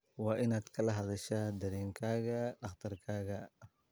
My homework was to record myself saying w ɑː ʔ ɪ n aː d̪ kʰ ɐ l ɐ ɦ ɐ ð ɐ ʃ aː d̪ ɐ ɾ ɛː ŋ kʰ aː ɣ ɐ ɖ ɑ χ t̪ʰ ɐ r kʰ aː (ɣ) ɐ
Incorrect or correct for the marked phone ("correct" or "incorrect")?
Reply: correct